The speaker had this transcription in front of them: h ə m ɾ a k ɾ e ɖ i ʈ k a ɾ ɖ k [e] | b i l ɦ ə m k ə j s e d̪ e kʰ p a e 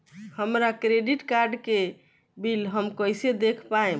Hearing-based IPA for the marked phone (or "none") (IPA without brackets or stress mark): e